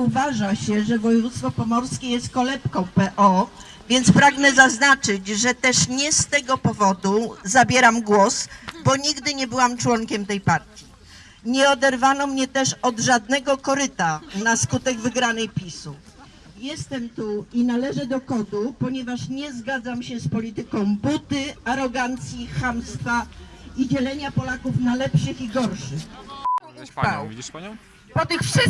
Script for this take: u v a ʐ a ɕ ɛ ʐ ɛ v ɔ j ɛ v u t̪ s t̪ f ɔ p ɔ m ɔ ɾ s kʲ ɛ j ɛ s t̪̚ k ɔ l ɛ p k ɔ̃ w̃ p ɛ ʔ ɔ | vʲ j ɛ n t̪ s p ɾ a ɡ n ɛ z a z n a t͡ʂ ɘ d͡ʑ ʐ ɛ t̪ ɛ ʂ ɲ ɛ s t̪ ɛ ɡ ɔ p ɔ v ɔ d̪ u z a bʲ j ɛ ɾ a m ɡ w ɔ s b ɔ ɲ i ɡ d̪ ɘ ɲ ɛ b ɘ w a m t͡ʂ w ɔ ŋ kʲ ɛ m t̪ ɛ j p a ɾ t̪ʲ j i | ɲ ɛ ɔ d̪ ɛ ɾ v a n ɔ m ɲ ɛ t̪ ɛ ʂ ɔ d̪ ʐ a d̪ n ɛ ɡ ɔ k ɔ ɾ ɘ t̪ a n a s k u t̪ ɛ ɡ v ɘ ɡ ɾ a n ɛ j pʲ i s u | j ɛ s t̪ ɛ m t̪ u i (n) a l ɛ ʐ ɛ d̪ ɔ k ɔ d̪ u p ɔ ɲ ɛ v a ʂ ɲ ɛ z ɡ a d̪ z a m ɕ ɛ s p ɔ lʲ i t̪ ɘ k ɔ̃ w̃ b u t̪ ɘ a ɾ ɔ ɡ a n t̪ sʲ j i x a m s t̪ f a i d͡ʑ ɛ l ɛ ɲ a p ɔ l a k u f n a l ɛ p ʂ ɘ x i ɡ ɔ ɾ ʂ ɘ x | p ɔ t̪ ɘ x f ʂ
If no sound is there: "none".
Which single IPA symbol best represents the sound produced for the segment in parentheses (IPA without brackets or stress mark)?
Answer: n